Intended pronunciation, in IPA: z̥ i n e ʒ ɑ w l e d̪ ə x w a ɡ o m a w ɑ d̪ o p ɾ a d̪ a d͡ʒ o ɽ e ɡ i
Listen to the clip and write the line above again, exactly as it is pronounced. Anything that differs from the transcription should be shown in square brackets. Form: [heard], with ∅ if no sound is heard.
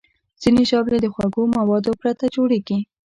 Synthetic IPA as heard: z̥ i n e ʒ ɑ [b] l e d̪ ə x w a ɡ o m a w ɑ d̪ o p ɾ a [t̪] a d͡ʒ o ɽ e ɡ i